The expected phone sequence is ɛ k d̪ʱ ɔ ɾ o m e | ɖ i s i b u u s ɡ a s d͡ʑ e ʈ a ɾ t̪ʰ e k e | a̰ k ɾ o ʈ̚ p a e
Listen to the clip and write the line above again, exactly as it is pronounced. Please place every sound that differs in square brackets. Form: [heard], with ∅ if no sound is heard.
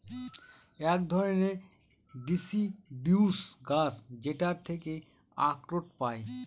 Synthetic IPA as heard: ɛ k d̪ʱ ɔ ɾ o [n] e | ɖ i s i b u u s ɡ a s d͡ʑ e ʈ a ɾ t̪ʰ e k e | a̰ k ɾ o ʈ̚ p a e